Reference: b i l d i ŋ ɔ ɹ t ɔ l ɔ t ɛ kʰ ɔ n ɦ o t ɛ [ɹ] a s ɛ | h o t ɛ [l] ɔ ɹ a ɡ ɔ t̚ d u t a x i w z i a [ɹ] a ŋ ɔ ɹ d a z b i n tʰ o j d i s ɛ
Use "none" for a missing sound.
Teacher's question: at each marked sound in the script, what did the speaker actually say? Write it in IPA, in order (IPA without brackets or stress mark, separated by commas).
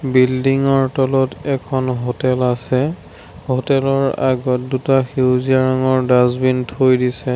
l, l, ɹ